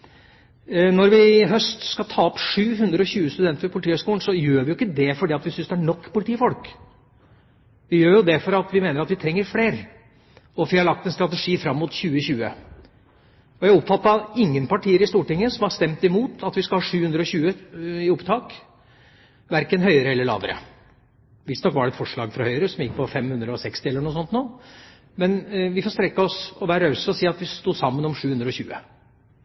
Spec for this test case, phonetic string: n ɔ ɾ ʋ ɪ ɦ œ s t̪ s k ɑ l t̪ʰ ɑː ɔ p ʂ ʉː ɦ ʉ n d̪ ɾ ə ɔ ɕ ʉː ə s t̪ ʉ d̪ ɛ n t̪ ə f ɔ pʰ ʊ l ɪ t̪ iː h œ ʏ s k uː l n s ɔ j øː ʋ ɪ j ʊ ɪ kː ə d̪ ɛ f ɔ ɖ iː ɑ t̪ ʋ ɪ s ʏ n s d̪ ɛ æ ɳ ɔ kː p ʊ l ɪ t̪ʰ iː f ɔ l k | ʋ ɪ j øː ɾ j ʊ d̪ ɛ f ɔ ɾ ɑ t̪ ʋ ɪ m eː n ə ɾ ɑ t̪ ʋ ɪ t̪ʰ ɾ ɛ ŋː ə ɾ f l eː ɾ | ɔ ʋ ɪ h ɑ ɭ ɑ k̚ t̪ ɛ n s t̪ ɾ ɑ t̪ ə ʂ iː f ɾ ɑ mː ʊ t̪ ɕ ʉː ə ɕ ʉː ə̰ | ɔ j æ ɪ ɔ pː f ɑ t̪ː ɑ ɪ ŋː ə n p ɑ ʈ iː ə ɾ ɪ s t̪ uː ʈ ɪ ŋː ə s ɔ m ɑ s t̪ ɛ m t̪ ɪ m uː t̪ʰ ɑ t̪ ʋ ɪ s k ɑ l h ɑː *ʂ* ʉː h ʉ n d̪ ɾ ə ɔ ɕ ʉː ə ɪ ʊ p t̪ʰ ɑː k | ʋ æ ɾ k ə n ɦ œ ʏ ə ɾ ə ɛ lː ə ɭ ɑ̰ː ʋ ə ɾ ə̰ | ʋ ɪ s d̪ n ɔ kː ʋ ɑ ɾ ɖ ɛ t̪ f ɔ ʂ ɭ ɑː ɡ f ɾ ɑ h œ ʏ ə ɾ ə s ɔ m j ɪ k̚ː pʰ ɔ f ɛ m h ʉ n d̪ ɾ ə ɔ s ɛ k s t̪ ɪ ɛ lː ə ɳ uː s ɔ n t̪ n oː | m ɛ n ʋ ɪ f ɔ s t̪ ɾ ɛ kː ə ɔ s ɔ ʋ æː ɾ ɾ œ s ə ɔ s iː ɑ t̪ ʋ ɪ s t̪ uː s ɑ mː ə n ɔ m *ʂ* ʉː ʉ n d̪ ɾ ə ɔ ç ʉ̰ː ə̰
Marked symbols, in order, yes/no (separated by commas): yes, yes